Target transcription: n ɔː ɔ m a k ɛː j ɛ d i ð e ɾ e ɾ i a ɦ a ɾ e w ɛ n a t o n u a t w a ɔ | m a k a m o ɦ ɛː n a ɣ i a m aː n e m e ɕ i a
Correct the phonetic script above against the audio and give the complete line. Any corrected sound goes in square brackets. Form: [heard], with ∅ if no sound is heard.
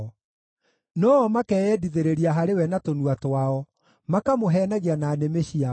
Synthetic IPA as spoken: n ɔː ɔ m a k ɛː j ɛ d i ð e ɾ e ɾ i a ɦ a ɾ e w ɛ n a t o n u a t w a ɔ | m a k a m o ɦ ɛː n a ɣ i a [n] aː n e m e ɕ i a